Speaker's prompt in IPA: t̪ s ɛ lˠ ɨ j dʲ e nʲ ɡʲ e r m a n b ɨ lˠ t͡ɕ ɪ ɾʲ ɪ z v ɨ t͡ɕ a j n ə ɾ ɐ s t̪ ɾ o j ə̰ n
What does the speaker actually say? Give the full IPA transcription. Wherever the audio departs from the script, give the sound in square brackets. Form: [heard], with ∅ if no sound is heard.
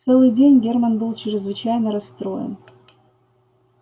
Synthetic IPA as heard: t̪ s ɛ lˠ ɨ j dʲ e nʲ ɡʲ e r m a n b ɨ lˠ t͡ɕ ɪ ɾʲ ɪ z v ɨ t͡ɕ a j n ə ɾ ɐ s t̪ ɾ o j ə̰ n